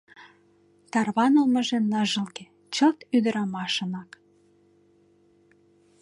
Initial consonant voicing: voiceless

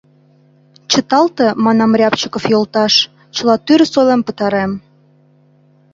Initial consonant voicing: voiceless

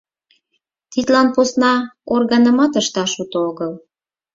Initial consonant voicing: voiceless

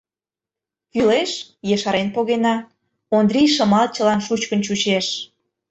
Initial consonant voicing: voiceless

